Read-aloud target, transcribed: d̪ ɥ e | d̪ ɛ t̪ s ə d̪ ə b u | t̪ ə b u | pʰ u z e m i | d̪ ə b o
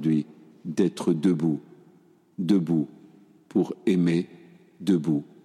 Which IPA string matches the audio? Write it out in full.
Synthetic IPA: d̪ ɥ i | d̪ ɛ t̪ χ ə d̪ ə b u | d̪ ə b u | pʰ u ʁ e m e | d̪ ə b u